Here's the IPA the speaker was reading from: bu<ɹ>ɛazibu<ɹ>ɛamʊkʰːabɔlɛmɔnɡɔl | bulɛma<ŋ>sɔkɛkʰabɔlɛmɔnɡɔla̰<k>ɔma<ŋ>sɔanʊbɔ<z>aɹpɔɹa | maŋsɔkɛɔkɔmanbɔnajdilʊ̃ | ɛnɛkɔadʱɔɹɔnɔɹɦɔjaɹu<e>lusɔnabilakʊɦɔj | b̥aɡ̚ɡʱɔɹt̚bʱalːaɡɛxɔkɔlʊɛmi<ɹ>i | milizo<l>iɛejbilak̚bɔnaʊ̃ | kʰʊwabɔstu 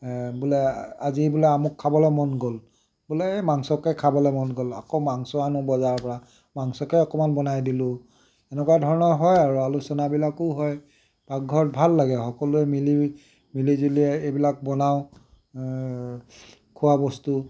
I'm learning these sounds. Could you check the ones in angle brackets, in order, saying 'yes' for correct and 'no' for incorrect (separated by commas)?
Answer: no, no, yes, yes, yes, yes, no, no, yes